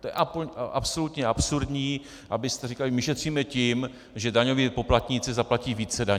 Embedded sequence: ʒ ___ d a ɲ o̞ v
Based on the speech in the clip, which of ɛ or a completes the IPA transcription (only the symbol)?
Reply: ɛ